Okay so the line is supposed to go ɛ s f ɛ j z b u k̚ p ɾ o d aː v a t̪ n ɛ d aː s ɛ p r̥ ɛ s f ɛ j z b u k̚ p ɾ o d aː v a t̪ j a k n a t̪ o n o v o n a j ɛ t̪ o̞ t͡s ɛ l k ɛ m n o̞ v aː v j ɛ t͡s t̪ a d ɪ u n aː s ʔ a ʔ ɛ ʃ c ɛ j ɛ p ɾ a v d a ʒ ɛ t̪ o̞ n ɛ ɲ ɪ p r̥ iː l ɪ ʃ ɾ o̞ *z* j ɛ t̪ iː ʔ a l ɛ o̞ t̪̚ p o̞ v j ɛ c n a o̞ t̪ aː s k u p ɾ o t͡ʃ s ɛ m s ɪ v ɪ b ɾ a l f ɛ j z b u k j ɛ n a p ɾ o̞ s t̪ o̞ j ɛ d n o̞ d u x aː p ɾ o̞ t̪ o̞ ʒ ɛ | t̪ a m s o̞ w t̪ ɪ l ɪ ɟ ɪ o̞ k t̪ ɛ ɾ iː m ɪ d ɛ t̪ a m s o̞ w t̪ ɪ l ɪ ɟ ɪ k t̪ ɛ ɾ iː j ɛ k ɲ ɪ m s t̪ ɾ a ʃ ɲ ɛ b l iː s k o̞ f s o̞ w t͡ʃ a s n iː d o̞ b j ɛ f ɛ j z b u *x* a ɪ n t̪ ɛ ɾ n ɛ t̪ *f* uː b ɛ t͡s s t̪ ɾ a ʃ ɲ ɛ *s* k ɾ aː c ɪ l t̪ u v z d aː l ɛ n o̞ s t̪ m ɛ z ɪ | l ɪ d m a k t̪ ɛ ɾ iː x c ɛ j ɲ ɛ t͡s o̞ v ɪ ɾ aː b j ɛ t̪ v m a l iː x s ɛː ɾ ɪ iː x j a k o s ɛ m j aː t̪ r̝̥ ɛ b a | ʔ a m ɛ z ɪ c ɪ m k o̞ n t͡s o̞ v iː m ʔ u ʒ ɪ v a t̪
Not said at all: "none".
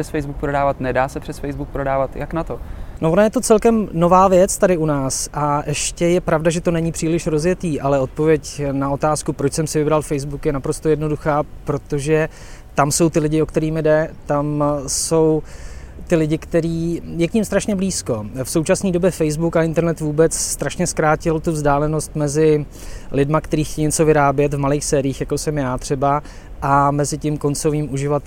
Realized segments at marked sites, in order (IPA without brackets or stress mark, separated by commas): z, k, v, s